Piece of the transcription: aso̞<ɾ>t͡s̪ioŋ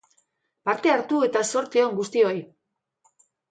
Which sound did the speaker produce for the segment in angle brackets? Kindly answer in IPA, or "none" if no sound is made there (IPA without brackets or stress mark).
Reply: ɾ